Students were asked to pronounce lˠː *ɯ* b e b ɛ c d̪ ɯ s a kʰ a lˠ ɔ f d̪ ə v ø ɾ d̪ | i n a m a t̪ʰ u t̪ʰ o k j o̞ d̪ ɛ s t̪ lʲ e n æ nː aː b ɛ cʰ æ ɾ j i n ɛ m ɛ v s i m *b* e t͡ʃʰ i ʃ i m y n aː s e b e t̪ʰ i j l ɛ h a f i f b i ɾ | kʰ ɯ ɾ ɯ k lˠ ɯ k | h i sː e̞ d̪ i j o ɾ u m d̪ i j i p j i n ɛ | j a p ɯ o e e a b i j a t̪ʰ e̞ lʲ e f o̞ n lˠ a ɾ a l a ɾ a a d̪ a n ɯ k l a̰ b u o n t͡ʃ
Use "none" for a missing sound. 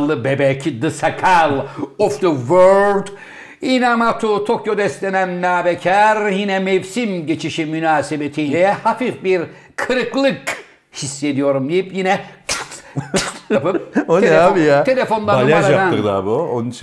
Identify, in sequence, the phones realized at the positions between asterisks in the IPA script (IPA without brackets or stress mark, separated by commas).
ɯ, ɟ